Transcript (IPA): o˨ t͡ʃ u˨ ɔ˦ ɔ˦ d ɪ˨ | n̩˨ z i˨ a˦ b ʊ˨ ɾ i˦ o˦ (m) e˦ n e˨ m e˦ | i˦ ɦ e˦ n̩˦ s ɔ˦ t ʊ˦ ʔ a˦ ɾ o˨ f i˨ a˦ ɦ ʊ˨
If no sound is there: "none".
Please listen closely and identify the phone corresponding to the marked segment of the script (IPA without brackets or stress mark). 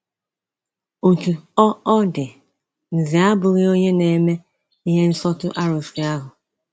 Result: ɲ